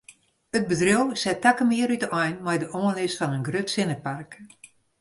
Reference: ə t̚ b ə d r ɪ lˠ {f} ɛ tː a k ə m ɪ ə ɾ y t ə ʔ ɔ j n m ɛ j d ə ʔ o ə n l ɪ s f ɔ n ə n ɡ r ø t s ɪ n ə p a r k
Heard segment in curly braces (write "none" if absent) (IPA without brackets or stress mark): s